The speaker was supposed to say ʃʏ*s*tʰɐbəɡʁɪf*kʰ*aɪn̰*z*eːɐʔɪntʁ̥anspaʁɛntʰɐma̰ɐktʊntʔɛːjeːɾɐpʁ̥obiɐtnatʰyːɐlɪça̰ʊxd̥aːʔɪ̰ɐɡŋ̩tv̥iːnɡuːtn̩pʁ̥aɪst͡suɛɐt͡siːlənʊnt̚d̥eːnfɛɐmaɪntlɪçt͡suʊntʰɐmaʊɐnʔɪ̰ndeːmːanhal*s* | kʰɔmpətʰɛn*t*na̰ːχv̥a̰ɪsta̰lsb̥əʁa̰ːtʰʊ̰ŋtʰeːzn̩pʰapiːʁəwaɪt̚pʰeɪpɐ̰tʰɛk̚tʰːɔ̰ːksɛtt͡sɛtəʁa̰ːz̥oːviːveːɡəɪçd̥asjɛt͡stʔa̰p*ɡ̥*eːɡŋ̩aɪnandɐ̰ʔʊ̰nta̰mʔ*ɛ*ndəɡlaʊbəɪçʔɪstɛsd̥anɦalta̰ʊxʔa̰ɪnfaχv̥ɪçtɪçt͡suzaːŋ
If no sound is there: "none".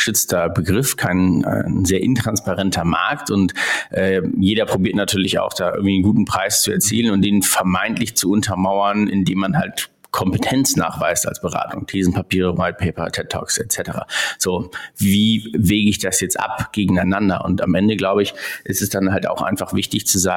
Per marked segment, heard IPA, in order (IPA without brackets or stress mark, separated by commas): t͡s, kʰ, z, t, t͡s, ɡ̥, ɛ